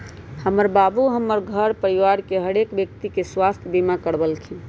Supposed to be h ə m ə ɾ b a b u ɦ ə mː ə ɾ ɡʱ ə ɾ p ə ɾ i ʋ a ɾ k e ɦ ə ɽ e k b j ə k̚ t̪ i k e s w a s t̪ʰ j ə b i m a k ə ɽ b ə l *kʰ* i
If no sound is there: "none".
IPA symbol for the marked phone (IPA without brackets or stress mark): kʰ